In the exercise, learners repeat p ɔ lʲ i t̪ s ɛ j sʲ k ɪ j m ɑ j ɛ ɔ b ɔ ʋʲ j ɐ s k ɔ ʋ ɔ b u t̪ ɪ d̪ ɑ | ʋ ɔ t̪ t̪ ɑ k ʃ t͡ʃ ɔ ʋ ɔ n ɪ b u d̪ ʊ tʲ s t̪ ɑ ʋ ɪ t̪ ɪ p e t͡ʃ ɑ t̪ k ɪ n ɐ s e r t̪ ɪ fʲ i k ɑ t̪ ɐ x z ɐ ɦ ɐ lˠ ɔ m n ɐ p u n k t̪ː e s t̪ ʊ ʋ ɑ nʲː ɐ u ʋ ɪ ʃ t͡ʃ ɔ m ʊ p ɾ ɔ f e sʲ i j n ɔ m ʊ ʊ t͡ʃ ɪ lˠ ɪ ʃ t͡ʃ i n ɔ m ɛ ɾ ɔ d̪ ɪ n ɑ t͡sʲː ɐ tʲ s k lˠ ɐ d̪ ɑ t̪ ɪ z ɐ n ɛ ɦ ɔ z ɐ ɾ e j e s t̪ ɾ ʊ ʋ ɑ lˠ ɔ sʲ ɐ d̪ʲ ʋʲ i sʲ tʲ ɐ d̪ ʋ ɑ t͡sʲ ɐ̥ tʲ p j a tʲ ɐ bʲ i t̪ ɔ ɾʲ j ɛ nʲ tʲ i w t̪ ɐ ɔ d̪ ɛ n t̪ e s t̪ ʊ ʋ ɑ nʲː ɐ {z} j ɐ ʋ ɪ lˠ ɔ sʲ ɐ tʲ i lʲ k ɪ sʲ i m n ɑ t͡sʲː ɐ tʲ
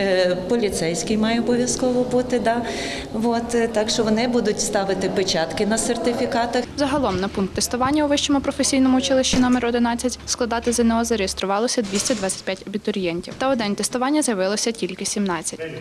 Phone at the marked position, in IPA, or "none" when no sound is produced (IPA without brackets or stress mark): z